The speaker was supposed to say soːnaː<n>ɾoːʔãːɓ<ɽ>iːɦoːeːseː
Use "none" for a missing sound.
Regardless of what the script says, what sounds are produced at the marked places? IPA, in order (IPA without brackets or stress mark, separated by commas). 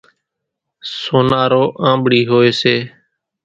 none, ɽ